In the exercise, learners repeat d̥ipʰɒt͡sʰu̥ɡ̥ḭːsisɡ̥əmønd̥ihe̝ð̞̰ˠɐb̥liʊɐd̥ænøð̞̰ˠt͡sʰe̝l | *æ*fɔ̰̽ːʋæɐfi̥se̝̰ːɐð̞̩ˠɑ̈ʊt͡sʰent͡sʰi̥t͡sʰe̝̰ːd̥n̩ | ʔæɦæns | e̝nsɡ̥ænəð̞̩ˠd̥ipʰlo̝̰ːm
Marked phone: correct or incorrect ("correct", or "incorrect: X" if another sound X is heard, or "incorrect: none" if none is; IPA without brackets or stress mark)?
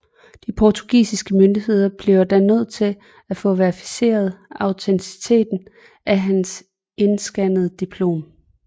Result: correct